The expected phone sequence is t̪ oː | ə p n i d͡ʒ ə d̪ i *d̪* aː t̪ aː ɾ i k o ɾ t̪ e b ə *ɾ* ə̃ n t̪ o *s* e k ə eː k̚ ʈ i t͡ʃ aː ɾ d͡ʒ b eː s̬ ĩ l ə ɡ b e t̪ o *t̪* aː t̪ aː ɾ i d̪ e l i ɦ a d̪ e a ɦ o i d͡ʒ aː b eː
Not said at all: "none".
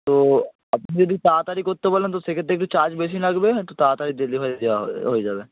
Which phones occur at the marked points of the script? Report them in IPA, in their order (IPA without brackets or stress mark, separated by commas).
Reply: t̪, l, s, t̪